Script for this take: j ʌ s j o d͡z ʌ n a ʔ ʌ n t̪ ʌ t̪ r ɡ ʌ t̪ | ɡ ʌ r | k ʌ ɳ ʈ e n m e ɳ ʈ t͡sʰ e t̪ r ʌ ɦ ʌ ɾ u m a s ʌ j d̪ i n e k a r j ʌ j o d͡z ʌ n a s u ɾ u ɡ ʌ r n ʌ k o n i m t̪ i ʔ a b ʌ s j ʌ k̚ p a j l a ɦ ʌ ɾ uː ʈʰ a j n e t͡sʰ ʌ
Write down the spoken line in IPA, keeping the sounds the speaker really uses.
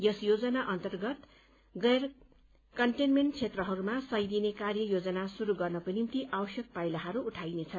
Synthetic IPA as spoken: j ʌ s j o d͡z ʌ n a ʔ ʌ n t̪ ʌ r ɡ ʌ t̪ | ɡ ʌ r | k ʌ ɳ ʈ e n m e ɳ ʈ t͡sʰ e t̪ r ʌ ɦ ʌ ɾ u m a s ʌ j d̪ i n e k a r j ʌ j o d͡z ʌ n a s u ɾ u ɡ ʌ r n ʌ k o n i m t̪ i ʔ a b ʌ s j ʌ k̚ p a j l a ɦ ʌ ɾ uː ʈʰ a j n e t͡sʰ ʌ